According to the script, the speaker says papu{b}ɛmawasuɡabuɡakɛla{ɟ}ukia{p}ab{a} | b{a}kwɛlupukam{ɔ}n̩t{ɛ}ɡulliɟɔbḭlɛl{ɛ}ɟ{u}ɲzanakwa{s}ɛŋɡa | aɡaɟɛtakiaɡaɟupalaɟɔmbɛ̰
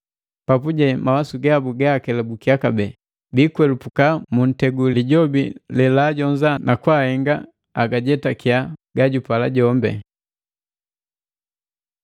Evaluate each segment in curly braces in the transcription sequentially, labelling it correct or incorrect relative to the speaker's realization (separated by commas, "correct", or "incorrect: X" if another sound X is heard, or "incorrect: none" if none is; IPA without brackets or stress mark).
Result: incorrect: ɟ, incorrect: b, incorrect: k, incorrect: ɛ, incorrect: i, incorrect: u, correct, incorrect: a, incorrect: ɔ, incorrect: h